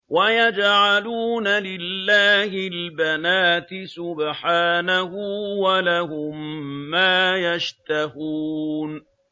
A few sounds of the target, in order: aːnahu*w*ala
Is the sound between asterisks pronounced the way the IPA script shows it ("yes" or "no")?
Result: yes